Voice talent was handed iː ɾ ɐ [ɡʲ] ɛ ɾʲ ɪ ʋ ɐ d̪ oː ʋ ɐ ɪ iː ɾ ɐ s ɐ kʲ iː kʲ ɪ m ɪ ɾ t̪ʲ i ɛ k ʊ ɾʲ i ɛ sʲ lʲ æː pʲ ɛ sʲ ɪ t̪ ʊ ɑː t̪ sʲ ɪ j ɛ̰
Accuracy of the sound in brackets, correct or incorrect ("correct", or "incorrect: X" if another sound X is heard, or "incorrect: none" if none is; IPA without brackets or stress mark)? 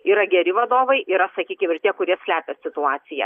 correct